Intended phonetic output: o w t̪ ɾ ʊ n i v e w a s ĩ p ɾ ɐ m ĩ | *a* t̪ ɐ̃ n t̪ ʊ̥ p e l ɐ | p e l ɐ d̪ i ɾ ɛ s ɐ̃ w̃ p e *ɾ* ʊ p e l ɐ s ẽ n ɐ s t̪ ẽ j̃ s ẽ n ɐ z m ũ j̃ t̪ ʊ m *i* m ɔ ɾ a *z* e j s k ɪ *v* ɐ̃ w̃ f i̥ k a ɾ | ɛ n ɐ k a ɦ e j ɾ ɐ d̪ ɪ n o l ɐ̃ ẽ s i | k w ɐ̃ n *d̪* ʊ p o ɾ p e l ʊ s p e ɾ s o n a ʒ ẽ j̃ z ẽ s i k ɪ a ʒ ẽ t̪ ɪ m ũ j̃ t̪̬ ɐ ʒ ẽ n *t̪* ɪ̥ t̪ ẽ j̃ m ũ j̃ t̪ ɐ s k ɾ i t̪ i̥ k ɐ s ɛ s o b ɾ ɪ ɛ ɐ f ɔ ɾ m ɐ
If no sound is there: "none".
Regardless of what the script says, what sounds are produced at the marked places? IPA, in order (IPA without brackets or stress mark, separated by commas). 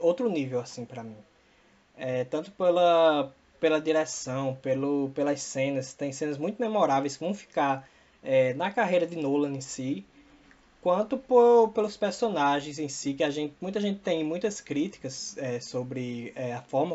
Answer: ɛ, l, e, v, v, t̪, t̪